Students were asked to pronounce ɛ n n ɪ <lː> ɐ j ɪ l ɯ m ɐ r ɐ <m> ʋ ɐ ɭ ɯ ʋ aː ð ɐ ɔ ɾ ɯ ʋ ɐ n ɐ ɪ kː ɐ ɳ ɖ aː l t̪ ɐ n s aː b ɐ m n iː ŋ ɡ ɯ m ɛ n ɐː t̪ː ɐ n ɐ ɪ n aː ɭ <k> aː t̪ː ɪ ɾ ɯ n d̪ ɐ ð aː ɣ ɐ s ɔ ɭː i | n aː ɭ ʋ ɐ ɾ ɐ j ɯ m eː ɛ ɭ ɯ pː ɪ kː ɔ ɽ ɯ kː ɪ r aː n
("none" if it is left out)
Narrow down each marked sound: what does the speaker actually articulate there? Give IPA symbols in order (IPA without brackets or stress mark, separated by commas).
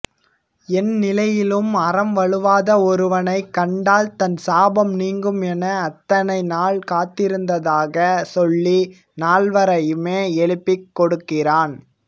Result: l, m, k